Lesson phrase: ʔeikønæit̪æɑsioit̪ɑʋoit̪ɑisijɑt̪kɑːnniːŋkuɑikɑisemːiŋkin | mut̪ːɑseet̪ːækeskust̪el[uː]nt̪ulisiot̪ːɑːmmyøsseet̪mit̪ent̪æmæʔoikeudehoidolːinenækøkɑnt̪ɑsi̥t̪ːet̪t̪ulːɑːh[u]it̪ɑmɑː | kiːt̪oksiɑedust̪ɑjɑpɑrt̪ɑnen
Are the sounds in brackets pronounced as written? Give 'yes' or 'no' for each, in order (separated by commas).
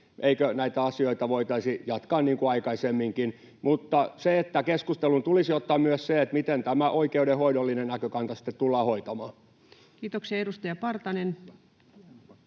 no, no